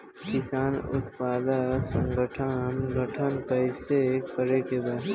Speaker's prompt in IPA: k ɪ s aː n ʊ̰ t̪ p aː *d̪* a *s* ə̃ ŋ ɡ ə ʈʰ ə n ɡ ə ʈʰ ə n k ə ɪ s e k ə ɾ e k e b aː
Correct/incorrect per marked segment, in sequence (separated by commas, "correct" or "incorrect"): correct, correct